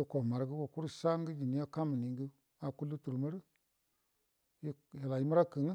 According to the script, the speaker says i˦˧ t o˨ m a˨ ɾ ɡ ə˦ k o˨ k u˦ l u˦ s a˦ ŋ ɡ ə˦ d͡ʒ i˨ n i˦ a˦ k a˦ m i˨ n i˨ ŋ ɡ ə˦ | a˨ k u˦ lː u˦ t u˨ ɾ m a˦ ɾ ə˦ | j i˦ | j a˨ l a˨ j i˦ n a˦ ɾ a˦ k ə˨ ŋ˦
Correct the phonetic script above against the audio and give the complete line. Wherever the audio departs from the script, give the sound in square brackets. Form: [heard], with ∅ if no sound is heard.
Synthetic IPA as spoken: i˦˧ [k] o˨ m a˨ ɾ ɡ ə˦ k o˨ k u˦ [ɾ] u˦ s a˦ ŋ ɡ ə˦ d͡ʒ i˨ n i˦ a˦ k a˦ m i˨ n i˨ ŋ ɡ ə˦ | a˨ k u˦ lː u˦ t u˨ ɾ m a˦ ɾ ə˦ | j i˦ | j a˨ l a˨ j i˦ [m] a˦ ɾ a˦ k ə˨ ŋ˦